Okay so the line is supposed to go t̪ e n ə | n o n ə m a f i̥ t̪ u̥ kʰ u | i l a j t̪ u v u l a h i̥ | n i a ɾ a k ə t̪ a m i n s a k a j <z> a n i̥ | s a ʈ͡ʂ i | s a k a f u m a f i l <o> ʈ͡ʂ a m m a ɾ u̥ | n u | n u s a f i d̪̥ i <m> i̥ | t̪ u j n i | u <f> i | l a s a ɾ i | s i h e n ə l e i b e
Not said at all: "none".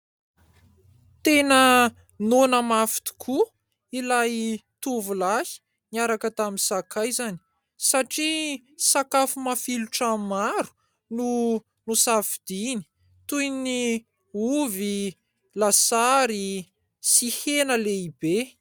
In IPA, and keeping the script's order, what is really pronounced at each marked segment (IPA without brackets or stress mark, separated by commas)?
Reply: z, u, n, v